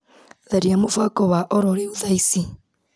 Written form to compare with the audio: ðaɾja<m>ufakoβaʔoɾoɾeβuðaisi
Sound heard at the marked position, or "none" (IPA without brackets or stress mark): m